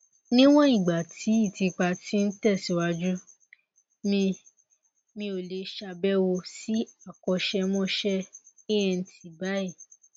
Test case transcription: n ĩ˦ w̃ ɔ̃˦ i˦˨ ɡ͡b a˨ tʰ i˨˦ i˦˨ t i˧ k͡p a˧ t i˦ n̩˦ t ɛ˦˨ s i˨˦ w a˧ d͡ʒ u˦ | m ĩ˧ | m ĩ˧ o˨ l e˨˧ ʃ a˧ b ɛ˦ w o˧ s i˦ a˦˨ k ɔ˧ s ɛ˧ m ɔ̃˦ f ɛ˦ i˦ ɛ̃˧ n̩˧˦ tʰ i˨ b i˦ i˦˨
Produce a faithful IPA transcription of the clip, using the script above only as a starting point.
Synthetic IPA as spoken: n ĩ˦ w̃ ɔ̃˦ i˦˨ ɡ͡b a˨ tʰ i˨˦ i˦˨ t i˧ k͡p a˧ t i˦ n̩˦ t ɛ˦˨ s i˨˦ w a˧ d͡ʒ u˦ | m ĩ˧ | m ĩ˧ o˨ l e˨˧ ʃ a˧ b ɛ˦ w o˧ s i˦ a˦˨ k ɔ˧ ʃ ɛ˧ m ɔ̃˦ ʃ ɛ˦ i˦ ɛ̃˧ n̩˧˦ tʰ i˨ b a˦ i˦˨